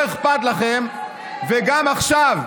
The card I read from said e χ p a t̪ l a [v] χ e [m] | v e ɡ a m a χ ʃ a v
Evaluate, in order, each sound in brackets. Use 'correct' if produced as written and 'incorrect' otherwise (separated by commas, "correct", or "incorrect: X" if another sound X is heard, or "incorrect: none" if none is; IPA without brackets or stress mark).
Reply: incorrect: none, correct